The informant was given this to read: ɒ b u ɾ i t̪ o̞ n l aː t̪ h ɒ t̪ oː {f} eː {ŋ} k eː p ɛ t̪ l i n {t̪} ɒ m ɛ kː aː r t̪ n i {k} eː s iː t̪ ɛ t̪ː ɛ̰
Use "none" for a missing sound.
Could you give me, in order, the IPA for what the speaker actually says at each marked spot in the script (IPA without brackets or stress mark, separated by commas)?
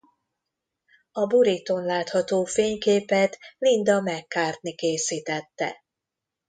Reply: f, ɲ, d̪, k